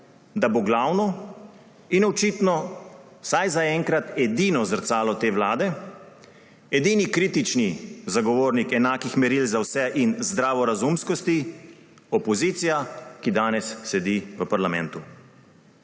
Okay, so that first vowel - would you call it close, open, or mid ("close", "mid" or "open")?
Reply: open